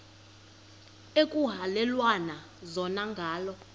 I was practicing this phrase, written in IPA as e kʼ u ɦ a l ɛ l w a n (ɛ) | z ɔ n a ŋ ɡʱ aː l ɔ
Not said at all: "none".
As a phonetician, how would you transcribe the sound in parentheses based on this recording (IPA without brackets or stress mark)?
a